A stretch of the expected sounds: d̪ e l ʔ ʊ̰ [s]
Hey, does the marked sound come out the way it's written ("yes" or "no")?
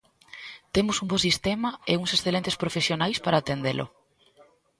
no